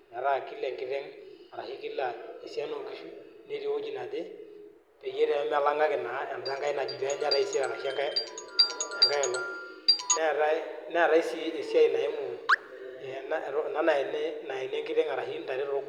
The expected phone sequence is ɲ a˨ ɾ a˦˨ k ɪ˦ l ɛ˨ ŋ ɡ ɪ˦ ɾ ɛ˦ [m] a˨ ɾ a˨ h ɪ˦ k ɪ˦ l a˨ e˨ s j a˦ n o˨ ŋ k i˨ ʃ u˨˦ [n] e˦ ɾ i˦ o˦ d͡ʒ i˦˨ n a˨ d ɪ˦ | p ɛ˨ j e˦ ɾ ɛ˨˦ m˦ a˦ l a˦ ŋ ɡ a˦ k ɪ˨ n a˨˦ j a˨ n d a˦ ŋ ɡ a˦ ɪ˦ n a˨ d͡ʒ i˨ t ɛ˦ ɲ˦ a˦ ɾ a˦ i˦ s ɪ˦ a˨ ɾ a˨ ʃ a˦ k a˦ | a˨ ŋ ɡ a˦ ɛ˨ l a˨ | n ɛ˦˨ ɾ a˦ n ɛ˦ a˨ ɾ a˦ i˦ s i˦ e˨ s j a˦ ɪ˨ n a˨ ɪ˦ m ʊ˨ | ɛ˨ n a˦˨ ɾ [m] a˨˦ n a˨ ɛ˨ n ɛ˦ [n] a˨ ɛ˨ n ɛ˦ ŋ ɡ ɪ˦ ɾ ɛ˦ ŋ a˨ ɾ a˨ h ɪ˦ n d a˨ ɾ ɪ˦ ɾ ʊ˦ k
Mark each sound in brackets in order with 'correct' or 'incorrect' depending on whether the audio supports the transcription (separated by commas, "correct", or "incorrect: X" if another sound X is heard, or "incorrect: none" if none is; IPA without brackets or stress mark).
incorrect: ŋ, correct, incorrect: n, correct